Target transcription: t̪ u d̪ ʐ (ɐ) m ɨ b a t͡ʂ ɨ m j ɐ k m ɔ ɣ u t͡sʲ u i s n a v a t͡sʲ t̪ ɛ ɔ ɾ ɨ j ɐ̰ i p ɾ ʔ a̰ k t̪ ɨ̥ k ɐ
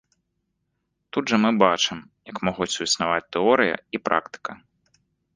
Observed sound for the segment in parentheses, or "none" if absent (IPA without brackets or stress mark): ɐ